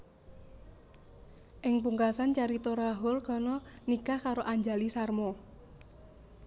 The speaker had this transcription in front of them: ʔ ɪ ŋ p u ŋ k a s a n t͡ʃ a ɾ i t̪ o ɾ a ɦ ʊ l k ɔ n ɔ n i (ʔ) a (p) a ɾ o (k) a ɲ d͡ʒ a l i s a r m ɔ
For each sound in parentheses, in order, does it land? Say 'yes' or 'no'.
no, no, no

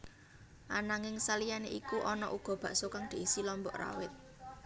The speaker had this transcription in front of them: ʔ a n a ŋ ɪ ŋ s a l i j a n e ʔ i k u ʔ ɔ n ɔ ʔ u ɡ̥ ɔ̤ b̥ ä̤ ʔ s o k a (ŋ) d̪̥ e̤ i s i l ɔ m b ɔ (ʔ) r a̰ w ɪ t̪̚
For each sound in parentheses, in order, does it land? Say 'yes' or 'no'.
yes, yes

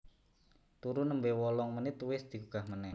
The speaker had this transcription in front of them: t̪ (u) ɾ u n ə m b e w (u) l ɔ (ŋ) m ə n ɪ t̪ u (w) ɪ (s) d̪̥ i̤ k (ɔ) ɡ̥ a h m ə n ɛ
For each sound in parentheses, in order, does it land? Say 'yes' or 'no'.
yes, no, yes, yes, yes, no

